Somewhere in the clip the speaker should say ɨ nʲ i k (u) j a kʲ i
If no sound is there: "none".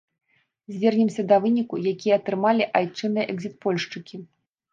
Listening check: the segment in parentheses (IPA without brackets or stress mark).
u